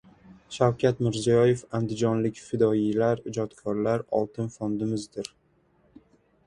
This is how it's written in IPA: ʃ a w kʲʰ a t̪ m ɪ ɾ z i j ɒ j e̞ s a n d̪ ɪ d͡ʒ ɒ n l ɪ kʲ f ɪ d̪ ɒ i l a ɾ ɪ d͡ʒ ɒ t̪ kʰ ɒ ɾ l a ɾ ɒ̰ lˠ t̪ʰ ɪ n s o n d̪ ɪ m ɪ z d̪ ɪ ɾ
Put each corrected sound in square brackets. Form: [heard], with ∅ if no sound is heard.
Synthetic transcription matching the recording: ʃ a w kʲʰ a t̪ m ɪ ɾ z i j ɒ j e̞ [f] a n d̪ ɪ d͡ʒ ɒ n l ɪ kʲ f ɪ d̪ ɒ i l a ɾ ɪ d͡ʒ ɒ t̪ kʰ ɒ ɾ l a ɾ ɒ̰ lˠ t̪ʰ ɪ n [f] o n d̪ ɪ m ɪ z d̪ ɪ ɾ

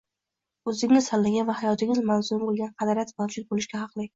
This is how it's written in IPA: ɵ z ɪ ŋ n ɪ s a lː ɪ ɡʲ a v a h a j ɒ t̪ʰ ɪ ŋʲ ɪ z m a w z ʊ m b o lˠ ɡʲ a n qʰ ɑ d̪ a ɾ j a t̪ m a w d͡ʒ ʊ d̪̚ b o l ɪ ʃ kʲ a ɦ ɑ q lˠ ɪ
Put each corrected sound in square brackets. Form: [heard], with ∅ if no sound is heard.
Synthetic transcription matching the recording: ɵ z ɪ ŋ n ɪ s a lː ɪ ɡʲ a v a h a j ɒ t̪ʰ ɪ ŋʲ ɪ z m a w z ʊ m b o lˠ ɡʲ a n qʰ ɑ d̪ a ɾ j a t̪ m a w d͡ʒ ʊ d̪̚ b o l ɪ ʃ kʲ a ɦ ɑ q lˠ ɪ

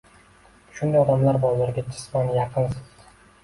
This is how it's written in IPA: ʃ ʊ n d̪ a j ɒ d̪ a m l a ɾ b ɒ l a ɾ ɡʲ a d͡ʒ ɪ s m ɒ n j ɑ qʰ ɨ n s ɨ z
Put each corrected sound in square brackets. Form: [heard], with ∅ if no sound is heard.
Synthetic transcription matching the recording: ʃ ʊ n d̪ a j ɒ d̪ a m l a ɾ b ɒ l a ɾ ɡʲ a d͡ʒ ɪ s m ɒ n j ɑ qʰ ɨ n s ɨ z

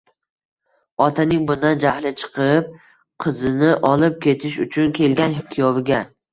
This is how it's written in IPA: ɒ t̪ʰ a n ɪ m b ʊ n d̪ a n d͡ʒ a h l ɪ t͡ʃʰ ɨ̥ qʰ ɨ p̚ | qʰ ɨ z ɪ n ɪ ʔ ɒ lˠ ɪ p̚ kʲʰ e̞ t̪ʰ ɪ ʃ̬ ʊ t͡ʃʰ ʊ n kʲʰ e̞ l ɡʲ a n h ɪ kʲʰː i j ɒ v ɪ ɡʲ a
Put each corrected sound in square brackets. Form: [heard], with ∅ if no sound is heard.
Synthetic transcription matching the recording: ɒ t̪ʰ a n ɪ [ŋ] b ʊ n d̪ a n d͡ʒ a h l ɪ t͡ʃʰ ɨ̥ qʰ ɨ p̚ | qʰ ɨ z ɪ n ɪ ʔ ɒ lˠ ɪ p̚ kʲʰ e̞ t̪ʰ ɪ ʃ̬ ʊ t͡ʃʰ ʊ n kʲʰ e̞ l ɡʲ a n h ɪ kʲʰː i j ɒ v ɪ ɡʲ a

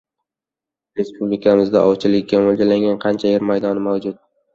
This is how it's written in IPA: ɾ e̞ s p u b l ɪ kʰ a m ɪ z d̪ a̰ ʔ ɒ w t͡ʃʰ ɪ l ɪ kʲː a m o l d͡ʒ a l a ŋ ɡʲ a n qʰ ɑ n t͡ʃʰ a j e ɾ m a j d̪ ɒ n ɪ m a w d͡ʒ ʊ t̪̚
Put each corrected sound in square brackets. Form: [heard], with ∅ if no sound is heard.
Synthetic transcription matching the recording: ɾ e̞ s p u b l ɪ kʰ a m ɪ z d̪ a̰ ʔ ɒ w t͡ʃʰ ɪ l ɪ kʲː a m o l d͡ʒ a l a ŋ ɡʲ a n qʰ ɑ n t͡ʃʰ a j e ɾ m a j d̪ ɒ n ɪ m a w d͡ʒ ʊ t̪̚

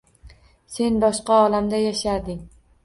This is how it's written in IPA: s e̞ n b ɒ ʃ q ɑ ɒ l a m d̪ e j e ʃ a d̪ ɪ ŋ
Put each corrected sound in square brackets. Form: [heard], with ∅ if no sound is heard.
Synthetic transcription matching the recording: s e̞ n b ɒ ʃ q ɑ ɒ l a m d̪ [a] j [a] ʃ a d̪ ɪ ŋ

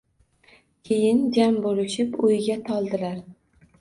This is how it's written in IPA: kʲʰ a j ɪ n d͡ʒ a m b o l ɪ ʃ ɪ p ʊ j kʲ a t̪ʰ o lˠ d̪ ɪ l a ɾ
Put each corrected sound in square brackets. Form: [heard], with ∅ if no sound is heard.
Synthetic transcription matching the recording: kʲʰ [e] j ɪ n d͡ʒ a m b o l ɪ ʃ ɪ p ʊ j [ɡʲ] a t̪ʰ [ɒ] lˠ d̪ ɪ l a ɾ

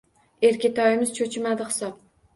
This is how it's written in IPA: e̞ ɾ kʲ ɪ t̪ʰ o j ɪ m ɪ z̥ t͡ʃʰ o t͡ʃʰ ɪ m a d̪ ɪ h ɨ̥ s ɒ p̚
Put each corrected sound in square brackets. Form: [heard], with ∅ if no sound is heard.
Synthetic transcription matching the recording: e̞ ɾ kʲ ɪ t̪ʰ [ɒ] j ɪ m ɪ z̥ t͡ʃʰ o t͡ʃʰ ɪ m a d̪ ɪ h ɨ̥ s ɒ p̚

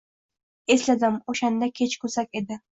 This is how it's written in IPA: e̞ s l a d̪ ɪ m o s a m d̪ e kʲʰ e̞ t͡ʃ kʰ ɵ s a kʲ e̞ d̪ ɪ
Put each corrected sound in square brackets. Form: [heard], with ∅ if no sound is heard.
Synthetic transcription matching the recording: e̞ s l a d̪ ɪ m o [ʃ] a [n] d̪ [a] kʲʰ e̞ t͡ʃ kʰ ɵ s a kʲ e̞ d̪ ɪ

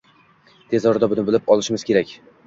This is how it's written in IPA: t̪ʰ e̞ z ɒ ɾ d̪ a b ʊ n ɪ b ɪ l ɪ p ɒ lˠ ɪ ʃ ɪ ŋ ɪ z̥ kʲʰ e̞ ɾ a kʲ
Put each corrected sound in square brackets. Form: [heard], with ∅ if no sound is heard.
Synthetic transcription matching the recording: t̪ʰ e̞ z ɒ ɾ d̪ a b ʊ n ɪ b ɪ l ɪ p ɒ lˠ ɪ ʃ ɪ [m] ɪ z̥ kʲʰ e̞ ɾ a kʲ

